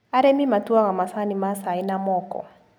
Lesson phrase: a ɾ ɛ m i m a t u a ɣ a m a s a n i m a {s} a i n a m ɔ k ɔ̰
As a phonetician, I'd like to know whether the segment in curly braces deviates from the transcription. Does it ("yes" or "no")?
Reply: no